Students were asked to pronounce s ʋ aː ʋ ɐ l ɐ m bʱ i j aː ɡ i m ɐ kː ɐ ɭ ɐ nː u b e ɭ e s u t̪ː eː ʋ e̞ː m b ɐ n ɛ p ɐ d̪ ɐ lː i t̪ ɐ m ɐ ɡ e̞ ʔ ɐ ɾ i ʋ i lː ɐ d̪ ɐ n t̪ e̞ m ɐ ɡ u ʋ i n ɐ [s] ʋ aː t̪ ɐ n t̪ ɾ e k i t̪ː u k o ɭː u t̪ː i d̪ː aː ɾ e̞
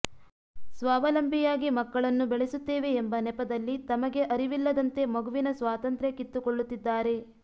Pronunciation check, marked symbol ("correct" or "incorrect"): correct